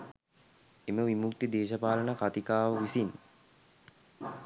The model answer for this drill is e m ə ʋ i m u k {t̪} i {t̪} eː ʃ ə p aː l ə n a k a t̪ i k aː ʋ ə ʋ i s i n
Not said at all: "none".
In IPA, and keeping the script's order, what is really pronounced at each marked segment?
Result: t̪, d̪

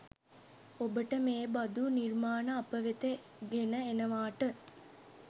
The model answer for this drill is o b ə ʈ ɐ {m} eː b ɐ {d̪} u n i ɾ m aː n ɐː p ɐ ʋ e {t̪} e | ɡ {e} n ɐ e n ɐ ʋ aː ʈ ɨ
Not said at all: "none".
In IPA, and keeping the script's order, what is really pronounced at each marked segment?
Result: m, d̪, t̪, e

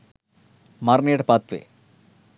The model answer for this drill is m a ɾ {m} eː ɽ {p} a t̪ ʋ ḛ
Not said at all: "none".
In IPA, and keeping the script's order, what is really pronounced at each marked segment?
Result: n, p

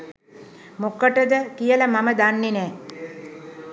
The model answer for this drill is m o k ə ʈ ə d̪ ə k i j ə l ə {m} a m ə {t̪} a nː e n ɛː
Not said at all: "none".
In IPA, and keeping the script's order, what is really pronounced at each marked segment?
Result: m, d̪

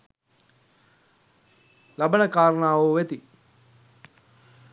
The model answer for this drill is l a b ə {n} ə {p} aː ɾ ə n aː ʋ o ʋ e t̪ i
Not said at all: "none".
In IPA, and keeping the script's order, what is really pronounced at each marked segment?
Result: n, k

